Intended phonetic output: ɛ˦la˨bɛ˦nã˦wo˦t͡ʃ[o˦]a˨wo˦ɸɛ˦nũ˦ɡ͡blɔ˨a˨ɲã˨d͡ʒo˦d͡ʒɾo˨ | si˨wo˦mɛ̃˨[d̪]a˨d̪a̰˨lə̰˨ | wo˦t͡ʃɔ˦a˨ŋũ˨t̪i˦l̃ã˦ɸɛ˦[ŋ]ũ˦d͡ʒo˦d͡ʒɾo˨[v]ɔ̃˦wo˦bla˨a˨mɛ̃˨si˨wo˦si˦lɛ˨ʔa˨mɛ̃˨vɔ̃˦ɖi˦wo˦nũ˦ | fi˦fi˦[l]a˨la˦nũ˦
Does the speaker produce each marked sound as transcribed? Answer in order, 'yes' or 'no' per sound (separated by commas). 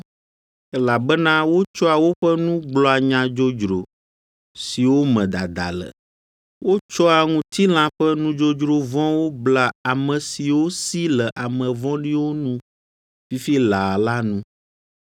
no, yes, no, yes, yes